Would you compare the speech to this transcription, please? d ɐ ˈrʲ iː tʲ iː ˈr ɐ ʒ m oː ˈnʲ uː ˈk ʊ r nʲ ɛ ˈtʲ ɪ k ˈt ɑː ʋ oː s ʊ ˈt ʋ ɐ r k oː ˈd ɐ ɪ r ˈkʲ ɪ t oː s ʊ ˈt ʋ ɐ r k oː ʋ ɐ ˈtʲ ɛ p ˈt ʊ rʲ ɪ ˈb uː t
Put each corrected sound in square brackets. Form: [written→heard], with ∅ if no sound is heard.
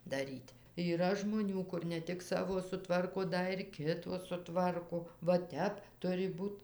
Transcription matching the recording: d ɐ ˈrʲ iː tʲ iː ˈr ɐ ʒ m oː ˈnʲ uː ˈk ʊ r nʲ ɛ ˈtʲ ɪ k [ˈt→ˈs] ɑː ʋ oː s ʊ ˈt ʋ ɐ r k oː ˈd ɐ ɪ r ˈkʲ ɪ t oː s ʊ ˈt ʋ ɐ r k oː ʋ ɐ ˈtʲ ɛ p ˈt ʊ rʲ ɪ ˈb uː t